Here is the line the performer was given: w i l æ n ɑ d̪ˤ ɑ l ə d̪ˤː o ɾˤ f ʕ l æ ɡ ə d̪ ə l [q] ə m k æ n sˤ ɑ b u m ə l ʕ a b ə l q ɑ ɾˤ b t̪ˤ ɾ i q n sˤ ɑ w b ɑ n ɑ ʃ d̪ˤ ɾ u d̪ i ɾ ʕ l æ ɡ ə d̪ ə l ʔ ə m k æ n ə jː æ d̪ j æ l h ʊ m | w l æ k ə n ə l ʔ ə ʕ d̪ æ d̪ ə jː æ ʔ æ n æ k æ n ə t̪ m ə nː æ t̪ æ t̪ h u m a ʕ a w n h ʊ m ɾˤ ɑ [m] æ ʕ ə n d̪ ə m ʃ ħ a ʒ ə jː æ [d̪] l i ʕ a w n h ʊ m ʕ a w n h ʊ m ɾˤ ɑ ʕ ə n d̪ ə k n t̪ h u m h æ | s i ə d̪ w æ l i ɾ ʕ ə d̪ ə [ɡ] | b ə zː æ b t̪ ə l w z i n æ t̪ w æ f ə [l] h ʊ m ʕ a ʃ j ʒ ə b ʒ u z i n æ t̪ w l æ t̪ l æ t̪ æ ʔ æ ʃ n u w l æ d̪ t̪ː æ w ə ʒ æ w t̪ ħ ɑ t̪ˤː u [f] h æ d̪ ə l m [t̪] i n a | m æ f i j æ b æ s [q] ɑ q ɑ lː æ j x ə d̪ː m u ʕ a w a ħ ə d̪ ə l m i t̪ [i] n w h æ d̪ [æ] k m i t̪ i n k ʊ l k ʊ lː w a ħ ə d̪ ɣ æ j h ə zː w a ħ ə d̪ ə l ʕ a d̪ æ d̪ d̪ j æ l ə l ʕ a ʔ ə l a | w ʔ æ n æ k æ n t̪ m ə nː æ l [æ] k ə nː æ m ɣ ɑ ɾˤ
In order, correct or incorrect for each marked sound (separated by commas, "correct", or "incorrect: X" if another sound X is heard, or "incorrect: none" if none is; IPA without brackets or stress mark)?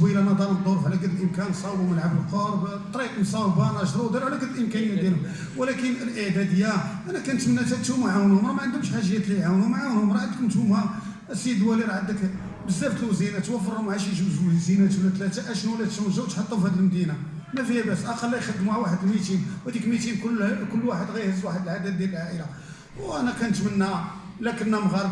incorrect: ʔ, correct, incorrect: t̪, incorrect: k, incorrect: ɾ, correct, incorrect: d̪, incorrect: ʔ, correct, incorrect: i, correct